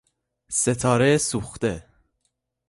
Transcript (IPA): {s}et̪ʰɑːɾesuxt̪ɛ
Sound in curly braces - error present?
no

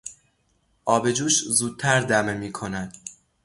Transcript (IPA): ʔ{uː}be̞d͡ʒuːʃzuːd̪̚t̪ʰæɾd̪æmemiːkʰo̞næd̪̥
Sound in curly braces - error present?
yes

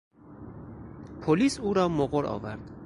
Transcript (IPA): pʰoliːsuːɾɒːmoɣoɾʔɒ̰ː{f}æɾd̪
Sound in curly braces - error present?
yes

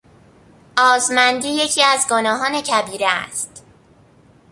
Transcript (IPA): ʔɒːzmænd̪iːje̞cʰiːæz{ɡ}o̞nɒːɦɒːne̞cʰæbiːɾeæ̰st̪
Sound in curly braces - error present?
no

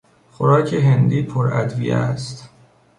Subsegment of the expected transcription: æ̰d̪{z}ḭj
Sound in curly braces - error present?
yes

